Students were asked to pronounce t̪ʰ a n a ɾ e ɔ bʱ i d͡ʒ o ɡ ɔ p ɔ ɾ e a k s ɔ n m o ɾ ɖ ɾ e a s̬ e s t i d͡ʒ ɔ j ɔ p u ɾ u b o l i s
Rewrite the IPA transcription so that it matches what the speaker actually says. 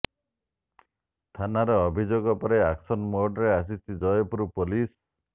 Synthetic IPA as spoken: t̪ʰ a n a ɾ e ɔ bʱ i d͡ʒ o ɡ ɔ p ɔ ɾ e a k s ɔ n m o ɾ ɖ ɾ e a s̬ i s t i d͡ʒ ɔ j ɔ p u ɾ u p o l i s

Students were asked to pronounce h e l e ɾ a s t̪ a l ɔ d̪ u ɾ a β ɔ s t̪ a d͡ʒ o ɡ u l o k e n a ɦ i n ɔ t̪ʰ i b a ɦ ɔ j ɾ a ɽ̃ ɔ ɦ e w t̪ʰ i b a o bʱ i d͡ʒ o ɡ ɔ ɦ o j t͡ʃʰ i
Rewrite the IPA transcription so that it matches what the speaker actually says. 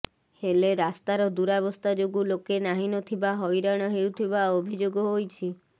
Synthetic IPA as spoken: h e l e ɾ a s t̪ a ɾ ɔ d̪ u ɾ a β ɔ s t̪ a d͡ʒ o ɡ u l o k e n a ɦ i n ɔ t̪ʰ i b a ɦ ɔ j ɾ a ɽ̃ ɔ ɦ e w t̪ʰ i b a o bʱ i d͡ʒ o ɡ ɔ ɦ o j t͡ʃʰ i

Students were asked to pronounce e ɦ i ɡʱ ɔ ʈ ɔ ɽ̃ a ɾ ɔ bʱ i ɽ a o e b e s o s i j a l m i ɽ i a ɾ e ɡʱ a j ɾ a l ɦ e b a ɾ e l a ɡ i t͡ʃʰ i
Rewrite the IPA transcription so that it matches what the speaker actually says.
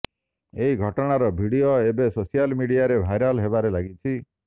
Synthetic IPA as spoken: e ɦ i ɡʱ ɔ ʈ ɔ ɽ̃ a ɾ ɔ bʱ i ɽ i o e b e s o s i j a l m i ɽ i a ɾ e bʱ a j ɾ a l ɦ e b a ɾ e l a ɡ i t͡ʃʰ i

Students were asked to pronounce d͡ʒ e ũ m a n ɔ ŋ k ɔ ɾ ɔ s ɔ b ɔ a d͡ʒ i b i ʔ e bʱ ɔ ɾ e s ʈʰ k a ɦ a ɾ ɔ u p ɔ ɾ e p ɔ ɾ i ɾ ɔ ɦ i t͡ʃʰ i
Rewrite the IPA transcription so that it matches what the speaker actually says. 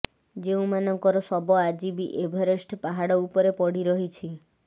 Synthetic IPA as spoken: d͡ʒ e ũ m a n ɔ ŋ k ɔ ɾ ɔ s ɔ b ɔ a d͡ʒ i b i ʔ e bʱ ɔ ɾ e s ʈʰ p a ɦ a ɽ ɔ u p ɔ ɾ e p ɔ ɽ i ɾ ɔ ɦ i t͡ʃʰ i

